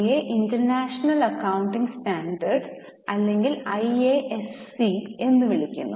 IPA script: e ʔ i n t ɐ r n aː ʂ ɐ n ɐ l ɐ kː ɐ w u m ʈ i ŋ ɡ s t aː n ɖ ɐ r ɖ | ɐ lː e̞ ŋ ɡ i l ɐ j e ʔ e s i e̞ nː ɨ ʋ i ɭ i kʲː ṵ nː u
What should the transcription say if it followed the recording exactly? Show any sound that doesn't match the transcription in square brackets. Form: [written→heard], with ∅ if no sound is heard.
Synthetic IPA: e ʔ i n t ɐ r n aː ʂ ɐ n ɐ l ɐ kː ɐ w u [m→ɳ] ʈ i ŋ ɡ s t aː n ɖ ɐ r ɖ | ɐ lː e̞ ŋ ɡ i l ɐ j e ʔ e s i e̞ nː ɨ ʋ i ɭ i kʲː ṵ nː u

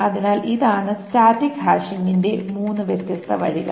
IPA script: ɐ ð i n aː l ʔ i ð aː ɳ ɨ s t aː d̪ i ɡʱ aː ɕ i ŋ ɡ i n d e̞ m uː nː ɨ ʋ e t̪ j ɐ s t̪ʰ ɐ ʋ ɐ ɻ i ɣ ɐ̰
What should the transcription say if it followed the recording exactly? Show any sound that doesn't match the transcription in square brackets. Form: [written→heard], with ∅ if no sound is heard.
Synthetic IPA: ɐ ð i n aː l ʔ i ð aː ɳ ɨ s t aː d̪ i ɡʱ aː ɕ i ŋ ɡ i n d e̞ m uː nː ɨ ʋ e t̪ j ɐ s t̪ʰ ɐ ʋ ɐ ɻ i ɣ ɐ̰

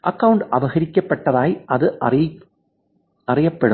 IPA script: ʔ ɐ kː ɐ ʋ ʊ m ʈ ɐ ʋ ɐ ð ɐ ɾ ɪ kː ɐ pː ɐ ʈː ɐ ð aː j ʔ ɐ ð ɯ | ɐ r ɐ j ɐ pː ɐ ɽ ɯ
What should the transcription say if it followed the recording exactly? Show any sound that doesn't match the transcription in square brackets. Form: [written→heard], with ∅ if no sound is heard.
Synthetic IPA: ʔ ɐ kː ɐ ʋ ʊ [m→ɳ] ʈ ɐ ʋ ɐ [ð→ɣ] ɐ ɾ ɪ kː ɐ pː ɐ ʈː ɐ ð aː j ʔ ɐ ð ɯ | ɐ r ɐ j ɐ pː ɐ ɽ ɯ

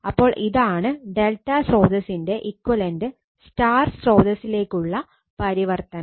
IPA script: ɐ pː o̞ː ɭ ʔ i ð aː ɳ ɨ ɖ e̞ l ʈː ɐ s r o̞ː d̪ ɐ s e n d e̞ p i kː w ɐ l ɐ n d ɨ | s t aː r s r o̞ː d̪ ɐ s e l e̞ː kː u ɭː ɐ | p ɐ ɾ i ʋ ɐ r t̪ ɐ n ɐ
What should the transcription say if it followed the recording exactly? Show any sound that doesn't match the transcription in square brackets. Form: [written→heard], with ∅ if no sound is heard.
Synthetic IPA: ɐ pː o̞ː ɭ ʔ i ð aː ɳ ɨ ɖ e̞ l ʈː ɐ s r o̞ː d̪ ɐ s [e→i] n d e̞ [p→ʔ] i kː w ɐ l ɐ n d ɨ | s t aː r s r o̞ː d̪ ɐ s [e→i] l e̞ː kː u ɭː ɐ | p ɐ ɾ i ʋ ɐ r t̪ ɐ n ɐ

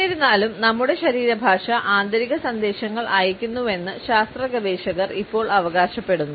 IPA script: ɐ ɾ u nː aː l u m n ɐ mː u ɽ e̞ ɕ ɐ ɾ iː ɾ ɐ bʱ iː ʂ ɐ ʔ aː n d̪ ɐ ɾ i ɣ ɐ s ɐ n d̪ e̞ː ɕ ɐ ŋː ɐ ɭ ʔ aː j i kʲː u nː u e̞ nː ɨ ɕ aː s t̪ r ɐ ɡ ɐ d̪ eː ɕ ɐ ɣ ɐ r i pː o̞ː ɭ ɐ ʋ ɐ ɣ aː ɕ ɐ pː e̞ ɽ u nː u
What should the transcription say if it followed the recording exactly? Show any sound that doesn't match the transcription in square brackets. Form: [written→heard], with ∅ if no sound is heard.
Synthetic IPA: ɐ ɾ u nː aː l u m n ɐ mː u ɽ e̞ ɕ ɐ ɾ iː ɾ ɐ bʱ [iː→aː] ʂ ɐ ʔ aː n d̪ ɐ ɾ i ɣ ɐ s ɐ n d̪ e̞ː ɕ ɐ ŋː ɐ ɭ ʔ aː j i kʲː u nː u e̞ nː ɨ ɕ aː s t̪ r ɐ ɡ ɐ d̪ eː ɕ ɐ ɣ ɐ r i pː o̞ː ɭ ɐ ʋ ɐ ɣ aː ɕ ɐ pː e̞ ɽ u nː u

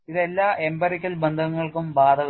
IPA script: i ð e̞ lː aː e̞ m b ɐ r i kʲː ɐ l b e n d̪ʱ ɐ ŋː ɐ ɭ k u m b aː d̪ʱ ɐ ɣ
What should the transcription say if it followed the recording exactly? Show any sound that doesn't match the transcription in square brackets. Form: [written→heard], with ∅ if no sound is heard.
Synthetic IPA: i ð e̞ lː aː e̞ m b ɐ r i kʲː ɐ l b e n d̪ʱ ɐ ŋː ɐ ɭ k u m b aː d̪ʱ ɐ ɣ

